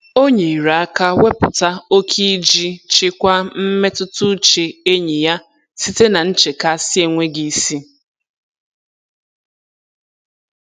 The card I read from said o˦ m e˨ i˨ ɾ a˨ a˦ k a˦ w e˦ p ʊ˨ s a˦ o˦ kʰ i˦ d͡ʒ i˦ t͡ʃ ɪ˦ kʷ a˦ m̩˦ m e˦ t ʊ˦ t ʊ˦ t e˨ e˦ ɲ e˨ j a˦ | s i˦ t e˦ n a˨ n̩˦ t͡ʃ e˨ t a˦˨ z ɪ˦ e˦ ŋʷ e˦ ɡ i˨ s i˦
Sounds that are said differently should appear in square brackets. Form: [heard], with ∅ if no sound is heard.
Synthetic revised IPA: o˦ [ɲ] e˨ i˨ ɾ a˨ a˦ k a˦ w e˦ p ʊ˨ [t] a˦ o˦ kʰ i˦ d͡ʒ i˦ t͡ʃ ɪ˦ kʷ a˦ m̩˦ m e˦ t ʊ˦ t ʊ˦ [t͡ʃ] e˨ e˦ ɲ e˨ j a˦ | s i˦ t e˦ n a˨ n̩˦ t͡ʃ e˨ [k] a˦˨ [s] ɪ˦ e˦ ŋʷ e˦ ɡ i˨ s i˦